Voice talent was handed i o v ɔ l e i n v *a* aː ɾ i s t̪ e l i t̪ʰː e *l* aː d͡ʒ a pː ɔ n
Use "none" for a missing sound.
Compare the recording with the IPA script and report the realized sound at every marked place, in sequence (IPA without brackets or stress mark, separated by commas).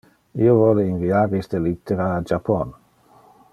i, ɾ